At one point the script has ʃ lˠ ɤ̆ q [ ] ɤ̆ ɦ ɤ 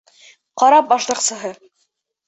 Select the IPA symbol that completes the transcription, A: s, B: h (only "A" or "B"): A